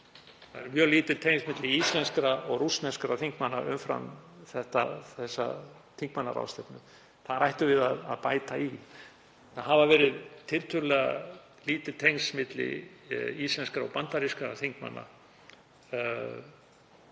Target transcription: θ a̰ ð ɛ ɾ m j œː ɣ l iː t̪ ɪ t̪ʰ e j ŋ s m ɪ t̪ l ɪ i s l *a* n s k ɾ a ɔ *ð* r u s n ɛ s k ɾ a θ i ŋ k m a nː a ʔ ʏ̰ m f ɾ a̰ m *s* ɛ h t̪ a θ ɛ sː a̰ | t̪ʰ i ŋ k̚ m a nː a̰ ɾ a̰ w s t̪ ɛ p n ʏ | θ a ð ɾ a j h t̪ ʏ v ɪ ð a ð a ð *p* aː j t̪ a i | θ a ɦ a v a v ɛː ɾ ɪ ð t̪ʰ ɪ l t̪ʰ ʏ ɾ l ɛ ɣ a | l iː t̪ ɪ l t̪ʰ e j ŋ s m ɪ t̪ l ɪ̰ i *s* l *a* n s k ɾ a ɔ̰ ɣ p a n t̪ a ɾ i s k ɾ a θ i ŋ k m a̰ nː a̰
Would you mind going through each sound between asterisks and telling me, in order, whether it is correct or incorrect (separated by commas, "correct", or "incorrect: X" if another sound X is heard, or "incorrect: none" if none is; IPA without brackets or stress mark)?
incorrect: ɛ, incorrect: ɣ, incorrect: θ, correct, correct, incorrect: ɛ